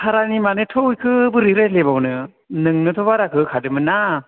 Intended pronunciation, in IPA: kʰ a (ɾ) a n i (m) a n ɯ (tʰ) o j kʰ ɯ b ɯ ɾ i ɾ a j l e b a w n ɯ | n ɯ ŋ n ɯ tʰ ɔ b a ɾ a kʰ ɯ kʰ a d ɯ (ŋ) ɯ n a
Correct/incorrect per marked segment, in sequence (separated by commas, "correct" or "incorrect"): correct, correct, correct, incorrect